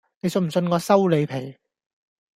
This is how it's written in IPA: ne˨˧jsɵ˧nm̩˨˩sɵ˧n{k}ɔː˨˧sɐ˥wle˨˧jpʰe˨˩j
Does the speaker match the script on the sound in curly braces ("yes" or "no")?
yes